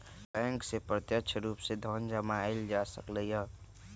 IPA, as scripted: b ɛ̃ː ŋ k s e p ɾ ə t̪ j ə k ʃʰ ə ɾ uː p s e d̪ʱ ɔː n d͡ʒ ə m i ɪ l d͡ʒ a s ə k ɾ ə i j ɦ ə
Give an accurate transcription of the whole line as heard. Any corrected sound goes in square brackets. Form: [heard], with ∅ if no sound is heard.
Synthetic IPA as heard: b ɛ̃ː ŋ k s e p ɾ ə t̪ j ə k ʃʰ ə ɾ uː p s e d̪ʱ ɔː n d͡ʒ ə m [a] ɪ l d͡ʒ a s ə k [l] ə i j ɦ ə